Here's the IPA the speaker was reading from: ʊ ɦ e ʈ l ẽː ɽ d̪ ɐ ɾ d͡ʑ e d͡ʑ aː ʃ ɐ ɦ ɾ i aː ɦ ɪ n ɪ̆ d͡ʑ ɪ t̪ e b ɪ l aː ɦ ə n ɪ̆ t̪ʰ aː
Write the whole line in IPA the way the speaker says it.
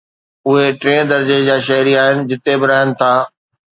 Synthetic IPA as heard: ʊ ɦ e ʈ ɾ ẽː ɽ d̪ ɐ ɾ d͡ʑ e d͡ʑ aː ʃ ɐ ɦ ɾ i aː ɦ ɪ n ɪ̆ d͡ʑ ɪ t̪ e b ɪ ɾ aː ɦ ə n ɪ̆ t̪ʰ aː

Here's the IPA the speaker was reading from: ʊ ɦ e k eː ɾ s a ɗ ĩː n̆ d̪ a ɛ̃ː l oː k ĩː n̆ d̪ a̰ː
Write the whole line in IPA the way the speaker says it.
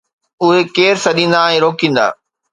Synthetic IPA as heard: ʊ ɦ e k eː ɾ s ɐ ɗ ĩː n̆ d̪ a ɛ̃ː ɾ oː k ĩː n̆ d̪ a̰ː

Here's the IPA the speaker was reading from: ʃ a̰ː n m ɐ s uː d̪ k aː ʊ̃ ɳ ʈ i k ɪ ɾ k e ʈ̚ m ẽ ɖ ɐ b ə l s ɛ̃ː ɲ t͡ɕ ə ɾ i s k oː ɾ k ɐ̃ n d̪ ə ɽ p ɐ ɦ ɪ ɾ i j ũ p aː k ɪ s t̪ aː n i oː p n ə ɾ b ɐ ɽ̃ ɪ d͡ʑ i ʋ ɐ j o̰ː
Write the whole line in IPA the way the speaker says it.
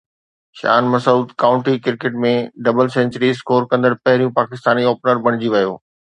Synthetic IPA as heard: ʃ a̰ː n m ɐ s uː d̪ k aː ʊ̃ ɳ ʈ i k ɪ ɾ k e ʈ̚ m ẽ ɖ ɐ b ə l s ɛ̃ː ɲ t͡ɕ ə ɾ i s k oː ɾ k ɐ̃ n d̪ ə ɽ p ɐ ɦ ɪ ɾ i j ũ p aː k ɪ s t̪ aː n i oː p n ə ɾ b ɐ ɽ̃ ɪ d͡ʑ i ʋ ɐ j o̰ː

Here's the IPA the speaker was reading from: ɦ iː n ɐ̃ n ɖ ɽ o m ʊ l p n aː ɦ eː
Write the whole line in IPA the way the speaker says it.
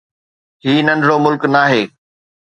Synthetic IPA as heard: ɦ iː n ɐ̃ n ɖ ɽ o m ʊ l k n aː ɦ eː

